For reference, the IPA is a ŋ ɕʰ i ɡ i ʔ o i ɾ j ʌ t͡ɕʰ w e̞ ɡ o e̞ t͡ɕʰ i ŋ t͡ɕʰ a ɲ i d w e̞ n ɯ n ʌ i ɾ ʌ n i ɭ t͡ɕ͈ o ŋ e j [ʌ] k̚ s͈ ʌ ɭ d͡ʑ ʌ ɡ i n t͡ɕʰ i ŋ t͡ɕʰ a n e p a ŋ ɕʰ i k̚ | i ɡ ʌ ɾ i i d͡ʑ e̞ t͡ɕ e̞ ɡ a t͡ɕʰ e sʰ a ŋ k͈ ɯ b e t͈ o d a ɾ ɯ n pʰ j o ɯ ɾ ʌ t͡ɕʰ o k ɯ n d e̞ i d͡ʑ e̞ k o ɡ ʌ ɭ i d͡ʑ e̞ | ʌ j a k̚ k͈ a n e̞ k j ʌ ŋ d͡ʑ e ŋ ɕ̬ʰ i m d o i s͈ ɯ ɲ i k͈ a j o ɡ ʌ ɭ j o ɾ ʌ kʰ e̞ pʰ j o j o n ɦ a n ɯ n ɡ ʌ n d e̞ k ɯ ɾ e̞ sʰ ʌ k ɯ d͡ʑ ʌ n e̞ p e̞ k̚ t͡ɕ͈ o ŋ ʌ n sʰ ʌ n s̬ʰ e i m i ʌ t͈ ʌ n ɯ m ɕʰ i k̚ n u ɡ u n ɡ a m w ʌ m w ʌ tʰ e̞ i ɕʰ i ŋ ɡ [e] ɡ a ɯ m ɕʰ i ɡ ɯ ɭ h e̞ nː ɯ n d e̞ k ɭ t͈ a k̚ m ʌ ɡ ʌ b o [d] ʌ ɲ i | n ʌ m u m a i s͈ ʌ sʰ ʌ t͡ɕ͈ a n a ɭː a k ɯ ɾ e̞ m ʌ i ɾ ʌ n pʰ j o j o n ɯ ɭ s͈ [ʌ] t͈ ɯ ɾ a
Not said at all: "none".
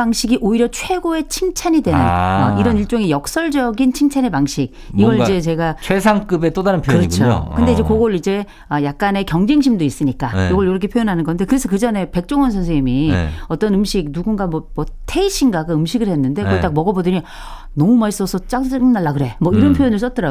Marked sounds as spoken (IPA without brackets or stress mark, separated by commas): ʌ, a, d, ʌ